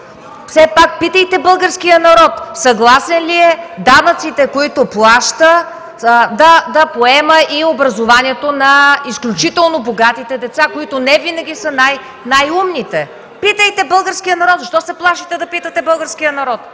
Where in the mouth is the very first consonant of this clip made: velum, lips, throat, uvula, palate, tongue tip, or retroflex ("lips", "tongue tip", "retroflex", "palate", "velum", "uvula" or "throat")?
lips